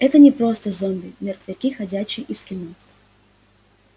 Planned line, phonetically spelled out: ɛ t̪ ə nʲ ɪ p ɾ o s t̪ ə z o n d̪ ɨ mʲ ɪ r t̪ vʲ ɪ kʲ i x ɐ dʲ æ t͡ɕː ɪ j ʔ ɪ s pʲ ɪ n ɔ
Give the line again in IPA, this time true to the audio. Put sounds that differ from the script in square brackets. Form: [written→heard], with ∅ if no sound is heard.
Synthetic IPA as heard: ɛ t̪ ə nʲ ɪ p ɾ o s t̪ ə z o n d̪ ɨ mʲ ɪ r t̪ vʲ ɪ kʲ i x ɐ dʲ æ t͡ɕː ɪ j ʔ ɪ s [pʲ→kʲ] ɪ n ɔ